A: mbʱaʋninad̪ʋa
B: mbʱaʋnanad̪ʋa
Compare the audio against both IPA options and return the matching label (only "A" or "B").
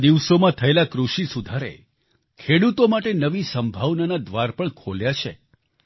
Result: B